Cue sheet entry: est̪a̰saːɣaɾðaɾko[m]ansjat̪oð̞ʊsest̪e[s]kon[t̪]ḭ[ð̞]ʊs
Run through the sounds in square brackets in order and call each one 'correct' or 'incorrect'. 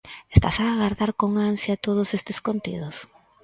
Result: incorrect, correct, correct, correct

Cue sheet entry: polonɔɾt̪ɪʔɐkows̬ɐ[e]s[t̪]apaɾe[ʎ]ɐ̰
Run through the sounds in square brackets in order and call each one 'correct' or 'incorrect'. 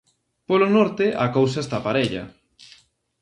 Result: correct, correct, correct

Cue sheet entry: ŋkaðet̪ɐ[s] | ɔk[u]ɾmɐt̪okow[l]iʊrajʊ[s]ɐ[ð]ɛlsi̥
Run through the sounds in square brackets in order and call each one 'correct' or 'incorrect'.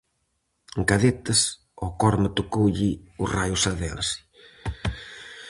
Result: correct, incorrect, incorrect, correct, correct

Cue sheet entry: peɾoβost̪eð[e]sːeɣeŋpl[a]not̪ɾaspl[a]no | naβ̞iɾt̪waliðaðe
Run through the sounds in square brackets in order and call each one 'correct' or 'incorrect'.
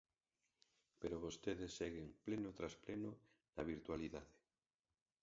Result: correct, incorrect, incorrect

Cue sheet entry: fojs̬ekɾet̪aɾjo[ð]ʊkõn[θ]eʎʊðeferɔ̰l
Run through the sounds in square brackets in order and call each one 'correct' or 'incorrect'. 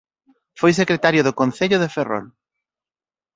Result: correct, correct

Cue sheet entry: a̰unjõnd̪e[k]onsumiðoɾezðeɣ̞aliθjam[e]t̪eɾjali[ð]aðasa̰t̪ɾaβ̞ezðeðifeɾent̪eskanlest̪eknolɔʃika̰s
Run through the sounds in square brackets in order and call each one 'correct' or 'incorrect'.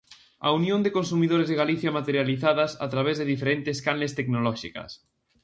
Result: correct, incorrect, incorrect

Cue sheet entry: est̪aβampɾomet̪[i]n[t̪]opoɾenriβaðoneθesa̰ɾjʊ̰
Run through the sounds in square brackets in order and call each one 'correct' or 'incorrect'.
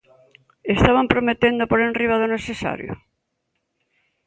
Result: incorrect, incorrect

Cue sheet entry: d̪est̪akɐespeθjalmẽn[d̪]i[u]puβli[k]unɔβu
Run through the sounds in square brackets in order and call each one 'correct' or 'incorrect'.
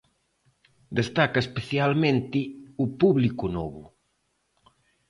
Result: incorrect, correct, correct

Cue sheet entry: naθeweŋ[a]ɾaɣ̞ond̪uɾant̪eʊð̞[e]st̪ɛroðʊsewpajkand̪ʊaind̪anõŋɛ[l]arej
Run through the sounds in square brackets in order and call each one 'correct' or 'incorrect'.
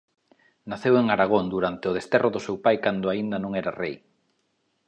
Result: correct, correct, incorrect

